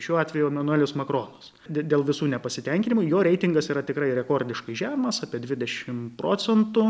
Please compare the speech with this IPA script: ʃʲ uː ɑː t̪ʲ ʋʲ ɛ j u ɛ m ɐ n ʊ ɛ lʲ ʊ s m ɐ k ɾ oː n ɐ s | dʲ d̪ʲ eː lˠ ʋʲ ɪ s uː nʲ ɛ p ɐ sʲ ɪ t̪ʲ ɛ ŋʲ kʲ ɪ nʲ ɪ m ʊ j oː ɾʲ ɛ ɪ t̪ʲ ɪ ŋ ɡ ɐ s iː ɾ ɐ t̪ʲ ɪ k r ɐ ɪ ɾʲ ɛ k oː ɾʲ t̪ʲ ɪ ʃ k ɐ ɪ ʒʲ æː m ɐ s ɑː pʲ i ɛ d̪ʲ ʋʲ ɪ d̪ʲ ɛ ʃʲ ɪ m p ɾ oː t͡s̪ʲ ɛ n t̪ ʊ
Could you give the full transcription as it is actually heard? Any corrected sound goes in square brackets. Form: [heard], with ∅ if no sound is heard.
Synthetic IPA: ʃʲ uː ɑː t̪ʲ ʋʲ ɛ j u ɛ m ɐ n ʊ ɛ lʲ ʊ s m ɐ k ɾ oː n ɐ s | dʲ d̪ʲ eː lˠ ʋʲ ɪ s uː nʲ ɛ p ɐ sʲ ɪ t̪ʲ ɛ ŋʲ kʲ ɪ nʲ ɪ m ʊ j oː ɾʲ ɛ ɪ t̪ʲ ɪ ŋ ɡ ɐ s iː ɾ ɐ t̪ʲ ɪ k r ɐ ɪ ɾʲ ɛ k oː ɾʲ [d̪ʲ] ɪ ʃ k ɐ ɪ ʒʲ æː m ɐ s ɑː pʲ i ɛ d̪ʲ ʋʲ ɪ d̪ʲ ɛ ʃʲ ɪ m p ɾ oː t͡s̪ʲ ɛ n t̪ ʊ